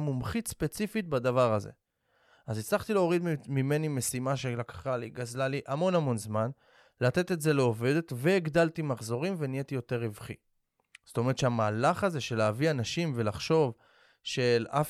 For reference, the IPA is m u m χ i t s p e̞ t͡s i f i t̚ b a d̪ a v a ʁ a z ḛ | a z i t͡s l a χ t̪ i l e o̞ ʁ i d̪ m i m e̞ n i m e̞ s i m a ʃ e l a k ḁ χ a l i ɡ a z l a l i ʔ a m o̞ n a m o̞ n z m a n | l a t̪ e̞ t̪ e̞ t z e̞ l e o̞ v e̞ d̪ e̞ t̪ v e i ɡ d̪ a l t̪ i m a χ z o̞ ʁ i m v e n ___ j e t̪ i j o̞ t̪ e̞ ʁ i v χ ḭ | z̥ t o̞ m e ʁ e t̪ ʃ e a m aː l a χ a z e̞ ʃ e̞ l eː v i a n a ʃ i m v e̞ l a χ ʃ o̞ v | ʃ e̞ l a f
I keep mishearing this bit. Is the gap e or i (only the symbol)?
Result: i